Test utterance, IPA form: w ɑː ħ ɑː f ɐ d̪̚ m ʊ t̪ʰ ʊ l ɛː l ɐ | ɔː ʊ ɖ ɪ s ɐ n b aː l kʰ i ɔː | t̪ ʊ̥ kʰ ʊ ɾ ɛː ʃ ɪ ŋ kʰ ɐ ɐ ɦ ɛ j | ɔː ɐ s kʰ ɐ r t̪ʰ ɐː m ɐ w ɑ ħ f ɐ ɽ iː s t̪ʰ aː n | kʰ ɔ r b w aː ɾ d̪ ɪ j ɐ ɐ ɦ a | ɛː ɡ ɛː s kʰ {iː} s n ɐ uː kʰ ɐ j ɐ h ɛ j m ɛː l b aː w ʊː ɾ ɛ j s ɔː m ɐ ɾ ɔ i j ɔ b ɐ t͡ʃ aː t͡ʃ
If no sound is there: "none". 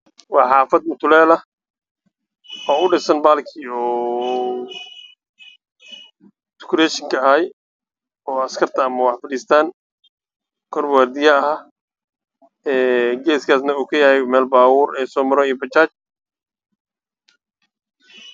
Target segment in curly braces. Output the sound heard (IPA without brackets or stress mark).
aː